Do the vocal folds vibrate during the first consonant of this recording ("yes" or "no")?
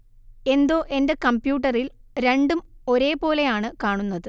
yes